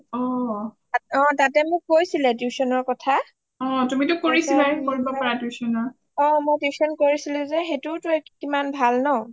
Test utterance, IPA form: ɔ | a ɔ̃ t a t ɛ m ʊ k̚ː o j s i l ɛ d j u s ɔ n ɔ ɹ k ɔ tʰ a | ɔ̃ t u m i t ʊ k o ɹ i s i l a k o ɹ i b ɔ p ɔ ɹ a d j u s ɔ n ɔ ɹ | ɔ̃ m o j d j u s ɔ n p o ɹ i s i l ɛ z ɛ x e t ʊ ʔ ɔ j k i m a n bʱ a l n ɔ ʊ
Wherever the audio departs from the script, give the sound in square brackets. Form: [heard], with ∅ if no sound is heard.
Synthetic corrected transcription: ɔ | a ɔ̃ t a t ɛ m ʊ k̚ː o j s i l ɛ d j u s ɔ n ɔ ɹ k ɔ tʰ a | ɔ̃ t u m i t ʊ k o ɹ i s i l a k o ɹ i b ɔ p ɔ ɹ a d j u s ɔ n ɔ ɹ | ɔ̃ m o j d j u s ɔ n [k] o ɹ i s i l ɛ z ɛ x e t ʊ [t] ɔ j k i m a n bʱ a l n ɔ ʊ